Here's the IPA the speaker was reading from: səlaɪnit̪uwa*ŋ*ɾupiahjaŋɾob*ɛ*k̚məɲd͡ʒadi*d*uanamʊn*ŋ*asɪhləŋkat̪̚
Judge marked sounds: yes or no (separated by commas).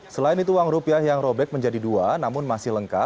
yes, yes, yes, no